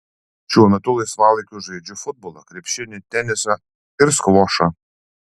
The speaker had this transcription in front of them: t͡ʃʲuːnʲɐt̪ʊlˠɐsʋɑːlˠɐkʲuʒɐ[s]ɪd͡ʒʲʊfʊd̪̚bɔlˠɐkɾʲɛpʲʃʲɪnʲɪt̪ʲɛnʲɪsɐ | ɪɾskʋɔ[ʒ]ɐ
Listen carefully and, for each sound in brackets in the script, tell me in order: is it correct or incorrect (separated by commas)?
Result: incorrect, incorrect